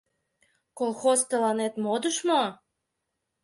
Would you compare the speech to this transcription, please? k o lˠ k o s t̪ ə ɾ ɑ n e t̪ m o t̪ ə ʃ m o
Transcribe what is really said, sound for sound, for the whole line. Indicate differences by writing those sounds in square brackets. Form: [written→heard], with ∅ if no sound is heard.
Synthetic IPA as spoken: k o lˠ [k→x] o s t̪ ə [ɾ→l] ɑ n e t̪ m o [t̪→d̪] ə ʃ m o